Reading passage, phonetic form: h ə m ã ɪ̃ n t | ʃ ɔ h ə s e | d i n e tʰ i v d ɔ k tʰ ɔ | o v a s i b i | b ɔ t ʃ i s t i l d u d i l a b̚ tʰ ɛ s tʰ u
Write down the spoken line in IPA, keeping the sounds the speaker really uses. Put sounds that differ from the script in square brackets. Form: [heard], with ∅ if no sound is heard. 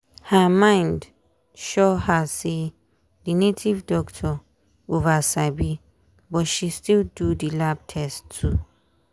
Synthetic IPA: h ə m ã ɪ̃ n [d] | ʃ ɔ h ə s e | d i n e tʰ i v d ɔ k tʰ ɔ | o v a s [a] b i | b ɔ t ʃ i s t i l d u d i l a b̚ tʰ ɛ s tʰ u